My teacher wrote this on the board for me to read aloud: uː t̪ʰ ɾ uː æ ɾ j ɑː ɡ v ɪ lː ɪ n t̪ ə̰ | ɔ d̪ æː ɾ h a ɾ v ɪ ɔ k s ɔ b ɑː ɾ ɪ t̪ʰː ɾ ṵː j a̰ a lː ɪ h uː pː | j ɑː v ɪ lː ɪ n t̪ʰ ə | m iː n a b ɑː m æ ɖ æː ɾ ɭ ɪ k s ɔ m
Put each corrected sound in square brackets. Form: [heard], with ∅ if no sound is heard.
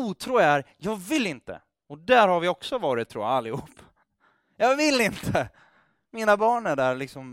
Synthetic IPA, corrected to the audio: uː t̪ʰ ɾ uː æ ɾ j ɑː ɡ v ɪ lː ɪ n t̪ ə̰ | ɔ d̪ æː ɾ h a ɾ v ɪ ɔ k s ɔ [v] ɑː ɾ ɪ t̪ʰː ɾ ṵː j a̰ a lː ɪ h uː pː | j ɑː v ɪ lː ɪ n t̪ʰ ə | m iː n a b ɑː [ɳ] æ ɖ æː ɾ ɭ ɪ k s ɔ m